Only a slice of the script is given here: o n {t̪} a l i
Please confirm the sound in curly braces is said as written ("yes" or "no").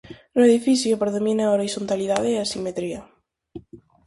yes